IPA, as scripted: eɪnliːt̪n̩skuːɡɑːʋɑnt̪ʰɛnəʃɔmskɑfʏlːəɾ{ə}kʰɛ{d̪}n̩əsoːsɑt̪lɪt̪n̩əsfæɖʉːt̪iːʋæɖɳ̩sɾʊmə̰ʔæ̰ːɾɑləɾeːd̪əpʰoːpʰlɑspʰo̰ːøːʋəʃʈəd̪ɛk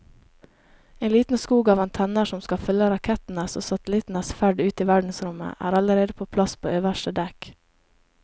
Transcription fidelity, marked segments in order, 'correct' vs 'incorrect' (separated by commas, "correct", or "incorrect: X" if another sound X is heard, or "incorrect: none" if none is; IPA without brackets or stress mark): incorrect: ɑ, incorrect: t̪